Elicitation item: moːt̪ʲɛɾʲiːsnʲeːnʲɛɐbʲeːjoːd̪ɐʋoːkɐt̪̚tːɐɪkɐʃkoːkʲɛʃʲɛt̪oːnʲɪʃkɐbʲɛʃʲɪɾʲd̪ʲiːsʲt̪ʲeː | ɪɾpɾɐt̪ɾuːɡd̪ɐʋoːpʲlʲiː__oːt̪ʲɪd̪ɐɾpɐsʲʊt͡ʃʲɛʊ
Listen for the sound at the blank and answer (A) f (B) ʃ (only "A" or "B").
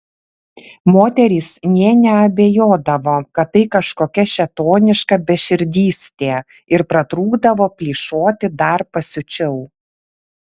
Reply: B